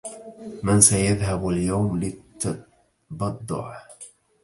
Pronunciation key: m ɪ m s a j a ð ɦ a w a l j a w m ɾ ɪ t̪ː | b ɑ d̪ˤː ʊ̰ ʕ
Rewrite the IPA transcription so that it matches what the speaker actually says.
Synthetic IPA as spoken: m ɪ n s a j a ð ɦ a b a l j a w m l ɪ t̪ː | b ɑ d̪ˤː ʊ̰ ʕ